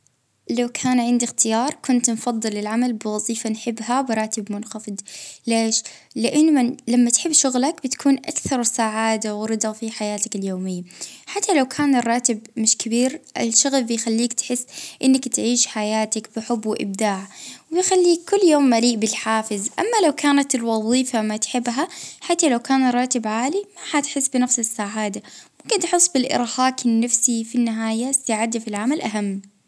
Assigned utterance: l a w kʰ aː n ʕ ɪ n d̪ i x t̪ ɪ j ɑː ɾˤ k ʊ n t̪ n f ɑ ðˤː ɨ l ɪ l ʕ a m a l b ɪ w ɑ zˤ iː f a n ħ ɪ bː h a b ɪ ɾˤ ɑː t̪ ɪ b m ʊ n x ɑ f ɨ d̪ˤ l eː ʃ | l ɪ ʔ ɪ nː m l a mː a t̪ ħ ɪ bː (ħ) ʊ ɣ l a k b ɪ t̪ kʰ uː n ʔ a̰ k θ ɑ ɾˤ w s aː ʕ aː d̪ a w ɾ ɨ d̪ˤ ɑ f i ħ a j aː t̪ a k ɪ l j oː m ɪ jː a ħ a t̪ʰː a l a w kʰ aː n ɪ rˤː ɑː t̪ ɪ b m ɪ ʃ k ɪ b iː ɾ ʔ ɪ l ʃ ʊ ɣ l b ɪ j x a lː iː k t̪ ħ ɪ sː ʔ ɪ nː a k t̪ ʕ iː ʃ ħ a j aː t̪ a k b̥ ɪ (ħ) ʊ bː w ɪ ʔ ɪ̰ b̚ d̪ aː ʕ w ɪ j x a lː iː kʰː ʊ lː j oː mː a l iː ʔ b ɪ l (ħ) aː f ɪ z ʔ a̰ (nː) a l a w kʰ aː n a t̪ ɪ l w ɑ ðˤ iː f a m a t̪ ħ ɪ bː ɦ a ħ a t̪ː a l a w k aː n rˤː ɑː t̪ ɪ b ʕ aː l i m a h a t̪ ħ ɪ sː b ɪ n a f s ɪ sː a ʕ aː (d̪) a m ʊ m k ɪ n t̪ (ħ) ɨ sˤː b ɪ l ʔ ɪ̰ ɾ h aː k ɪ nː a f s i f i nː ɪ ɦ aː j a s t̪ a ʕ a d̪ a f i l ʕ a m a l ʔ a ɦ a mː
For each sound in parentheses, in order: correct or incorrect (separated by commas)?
incorrect, correct, correct, incorrect, correct, correct